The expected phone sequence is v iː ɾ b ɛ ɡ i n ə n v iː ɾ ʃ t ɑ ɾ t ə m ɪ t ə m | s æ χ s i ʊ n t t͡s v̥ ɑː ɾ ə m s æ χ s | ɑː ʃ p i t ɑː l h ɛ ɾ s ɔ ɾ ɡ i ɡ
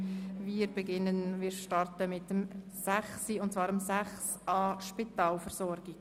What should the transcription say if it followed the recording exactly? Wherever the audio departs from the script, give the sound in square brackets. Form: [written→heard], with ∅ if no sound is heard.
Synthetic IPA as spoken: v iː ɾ b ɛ ɡ [i→ɪ] n ə n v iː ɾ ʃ t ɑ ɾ t ə m ɪ t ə m | s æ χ s i ʊ n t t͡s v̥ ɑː ɾ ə m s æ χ s | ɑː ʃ p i t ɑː l [h→f] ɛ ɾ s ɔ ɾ ɡ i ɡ